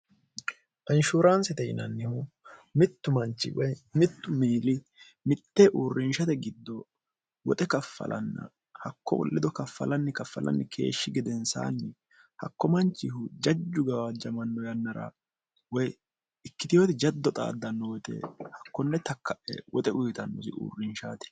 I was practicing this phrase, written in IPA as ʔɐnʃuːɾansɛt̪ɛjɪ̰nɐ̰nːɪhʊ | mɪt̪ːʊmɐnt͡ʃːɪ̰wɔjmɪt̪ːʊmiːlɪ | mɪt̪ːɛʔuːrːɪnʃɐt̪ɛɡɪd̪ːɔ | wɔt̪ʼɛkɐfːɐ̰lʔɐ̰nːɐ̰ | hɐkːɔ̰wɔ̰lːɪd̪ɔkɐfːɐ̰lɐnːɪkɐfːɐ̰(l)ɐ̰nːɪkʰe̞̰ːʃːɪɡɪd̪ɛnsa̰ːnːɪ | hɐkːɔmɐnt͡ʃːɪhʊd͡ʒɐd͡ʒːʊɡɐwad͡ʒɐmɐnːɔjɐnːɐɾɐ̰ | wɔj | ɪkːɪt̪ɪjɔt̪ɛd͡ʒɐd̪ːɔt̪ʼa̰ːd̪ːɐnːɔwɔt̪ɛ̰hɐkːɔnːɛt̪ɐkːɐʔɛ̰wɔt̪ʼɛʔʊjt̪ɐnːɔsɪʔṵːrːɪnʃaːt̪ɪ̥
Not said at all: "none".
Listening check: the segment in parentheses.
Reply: l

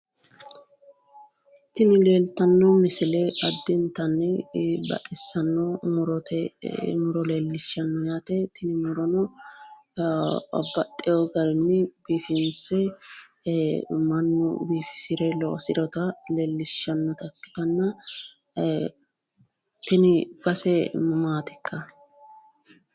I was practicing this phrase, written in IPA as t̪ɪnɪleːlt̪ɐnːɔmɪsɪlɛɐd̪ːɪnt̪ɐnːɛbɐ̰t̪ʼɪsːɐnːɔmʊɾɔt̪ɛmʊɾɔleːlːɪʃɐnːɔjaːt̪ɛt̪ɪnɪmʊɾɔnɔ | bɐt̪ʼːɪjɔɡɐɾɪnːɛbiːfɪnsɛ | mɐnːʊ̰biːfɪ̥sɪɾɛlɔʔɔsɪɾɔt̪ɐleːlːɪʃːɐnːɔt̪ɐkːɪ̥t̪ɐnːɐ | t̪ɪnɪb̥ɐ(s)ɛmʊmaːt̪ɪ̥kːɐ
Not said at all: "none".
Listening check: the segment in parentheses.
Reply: s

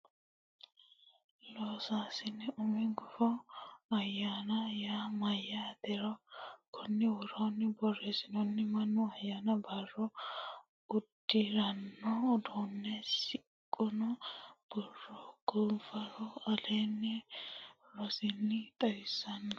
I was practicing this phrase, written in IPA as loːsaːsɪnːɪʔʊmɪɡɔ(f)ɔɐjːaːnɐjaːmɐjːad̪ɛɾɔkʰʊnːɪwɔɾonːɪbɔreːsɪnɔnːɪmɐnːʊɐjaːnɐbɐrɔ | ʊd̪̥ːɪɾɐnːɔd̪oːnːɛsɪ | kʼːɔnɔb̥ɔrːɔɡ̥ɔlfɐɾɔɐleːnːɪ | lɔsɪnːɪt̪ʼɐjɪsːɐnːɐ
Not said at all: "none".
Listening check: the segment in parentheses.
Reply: f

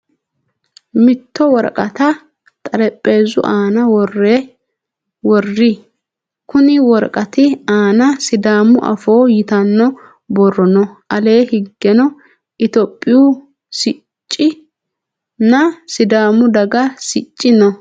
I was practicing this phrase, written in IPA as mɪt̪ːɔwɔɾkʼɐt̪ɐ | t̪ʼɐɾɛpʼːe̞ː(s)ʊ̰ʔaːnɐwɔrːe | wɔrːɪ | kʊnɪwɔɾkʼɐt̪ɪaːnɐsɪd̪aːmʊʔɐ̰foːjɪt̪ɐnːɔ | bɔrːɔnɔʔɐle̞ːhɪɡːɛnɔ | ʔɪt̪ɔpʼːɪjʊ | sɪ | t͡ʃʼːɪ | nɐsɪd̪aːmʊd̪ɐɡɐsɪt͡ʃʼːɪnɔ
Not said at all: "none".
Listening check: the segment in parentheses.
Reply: z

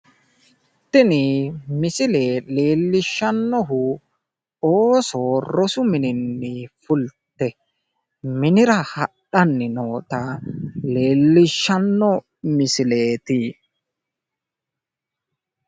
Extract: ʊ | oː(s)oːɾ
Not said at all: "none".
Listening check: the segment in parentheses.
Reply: s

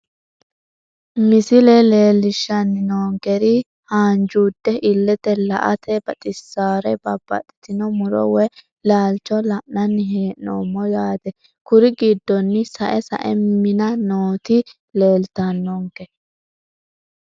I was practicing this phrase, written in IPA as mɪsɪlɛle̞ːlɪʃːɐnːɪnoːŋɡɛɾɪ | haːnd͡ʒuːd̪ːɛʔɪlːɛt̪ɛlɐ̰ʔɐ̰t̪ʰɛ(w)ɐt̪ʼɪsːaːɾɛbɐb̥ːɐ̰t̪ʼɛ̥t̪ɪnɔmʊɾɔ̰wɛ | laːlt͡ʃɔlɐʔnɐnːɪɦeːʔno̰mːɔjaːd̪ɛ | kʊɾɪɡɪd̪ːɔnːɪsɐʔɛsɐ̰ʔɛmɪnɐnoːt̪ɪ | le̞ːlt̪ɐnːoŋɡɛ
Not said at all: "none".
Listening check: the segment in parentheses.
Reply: b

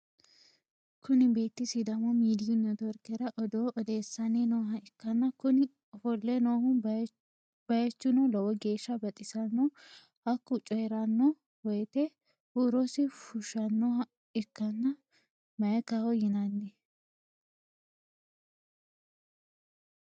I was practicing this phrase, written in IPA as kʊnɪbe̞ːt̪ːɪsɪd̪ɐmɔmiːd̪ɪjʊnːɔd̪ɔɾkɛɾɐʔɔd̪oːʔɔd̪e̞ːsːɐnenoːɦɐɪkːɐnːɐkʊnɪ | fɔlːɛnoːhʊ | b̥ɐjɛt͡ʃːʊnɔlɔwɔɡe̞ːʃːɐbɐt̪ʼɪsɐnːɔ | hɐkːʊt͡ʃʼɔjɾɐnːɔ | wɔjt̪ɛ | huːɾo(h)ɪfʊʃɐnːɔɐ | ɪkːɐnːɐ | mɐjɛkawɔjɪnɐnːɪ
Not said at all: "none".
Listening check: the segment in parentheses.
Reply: s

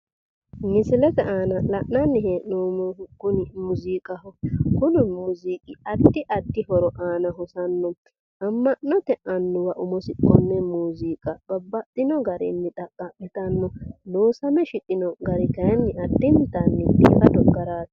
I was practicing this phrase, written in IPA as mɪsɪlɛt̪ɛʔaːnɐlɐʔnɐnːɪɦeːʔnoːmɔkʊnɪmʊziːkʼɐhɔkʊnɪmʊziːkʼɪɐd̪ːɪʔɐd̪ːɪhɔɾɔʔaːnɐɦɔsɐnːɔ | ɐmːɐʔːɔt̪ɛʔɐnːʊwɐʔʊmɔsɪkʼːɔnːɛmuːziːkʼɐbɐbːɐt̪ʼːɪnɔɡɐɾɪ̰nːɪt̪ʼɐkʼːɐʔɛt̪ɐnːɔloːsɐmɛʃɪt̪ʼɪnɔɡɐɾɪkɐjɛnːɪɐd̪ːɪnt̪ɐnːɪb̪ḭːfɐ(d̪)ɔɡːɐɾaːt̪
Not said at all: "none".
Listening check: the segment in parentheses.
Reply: d̪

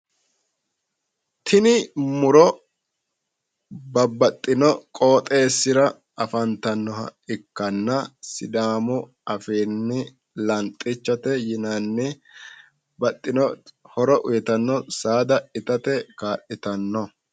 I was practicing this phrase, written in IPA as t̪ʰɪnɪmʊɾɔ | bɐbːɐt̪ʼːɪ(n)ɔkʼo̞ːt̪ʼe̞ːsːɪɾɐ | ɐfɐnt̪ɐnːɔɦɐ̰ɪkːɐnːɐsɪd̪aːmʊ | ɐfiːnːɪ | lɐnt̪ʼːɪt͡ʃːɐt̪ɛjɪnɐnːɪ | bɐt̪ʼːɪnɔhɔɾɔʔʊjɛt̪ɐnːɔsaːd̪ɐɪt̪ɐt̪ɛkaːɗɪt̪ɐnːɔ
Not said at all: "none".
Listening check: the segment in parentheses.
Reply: n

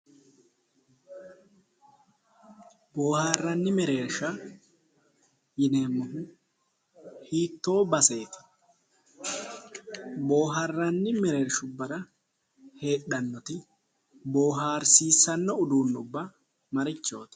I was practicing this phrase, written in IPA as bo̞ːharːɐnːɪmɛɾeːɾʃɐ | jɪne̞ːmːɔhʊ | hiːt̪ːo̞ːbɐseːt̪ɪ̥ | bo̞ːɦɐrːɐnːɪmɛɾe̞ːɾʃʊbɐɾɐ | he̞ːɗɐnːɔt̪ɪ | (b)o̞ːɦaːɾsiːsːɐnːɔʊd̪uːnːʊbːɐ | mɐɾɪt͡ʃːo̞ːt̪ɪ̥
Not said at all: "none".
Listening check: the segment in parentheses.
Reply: b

